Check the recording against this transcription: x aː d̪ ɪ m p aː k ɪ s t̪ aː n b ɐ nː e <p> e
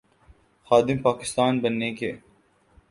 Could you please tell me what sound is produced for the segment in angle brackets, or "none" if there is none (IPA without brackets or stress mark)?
k